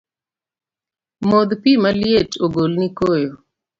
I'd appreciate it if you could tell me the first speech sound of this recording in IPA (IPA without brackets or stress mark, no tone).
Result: m